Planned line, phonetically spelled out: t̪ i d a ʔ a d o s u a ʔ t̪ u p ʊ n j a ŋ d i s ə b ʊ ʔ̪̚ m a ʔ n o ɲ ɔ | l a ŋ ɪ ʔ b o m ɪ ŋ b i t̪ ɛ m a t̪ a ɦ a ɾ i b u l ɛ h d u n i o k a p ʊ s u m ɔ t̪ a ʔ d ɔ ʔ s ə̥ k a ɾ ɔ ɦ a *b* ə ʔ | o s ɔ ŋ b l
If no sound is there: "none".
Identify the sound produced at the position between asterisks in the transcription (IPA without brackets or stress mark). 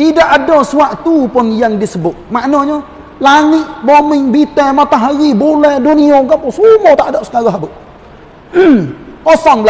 b